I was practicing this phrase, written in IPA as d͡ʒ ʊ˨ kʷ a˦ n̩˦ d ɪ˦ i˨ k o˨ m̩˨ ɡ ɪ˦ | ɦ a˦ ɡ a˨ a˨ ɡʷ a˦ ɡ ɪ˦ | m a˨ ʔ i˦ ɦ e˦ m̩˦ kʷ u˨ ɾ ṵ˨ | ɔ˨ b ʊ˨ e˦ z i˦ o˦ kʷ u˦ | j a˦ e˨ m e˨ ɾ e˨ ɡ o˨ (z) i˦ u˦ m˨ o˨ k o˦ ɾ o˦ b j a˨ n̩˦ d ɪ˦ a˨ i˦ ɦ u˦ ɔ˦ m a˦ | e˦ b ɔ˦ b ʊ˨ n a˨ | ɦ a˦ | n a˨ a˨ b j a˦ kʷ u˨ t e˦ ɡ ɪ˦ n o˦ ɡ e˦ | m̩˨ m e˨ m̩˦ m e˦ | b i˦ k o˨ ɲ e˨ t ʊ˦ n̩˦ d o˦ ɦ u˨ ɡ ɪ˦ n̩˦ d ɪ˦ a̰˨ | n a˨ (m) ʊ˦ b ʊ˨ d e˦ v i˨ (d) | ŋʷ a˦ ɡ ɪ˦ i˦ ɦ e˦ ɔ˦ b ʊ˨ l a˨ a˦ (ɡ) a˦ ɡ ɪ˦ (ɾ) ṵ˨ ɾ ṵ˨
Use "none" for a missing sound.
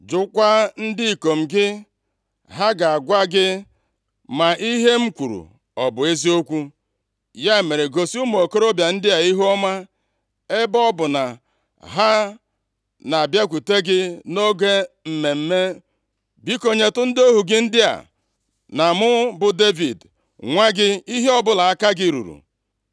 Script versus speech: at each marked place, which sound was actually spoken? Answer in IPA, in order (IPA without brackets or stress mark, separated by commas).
s, m, d, k, ɾ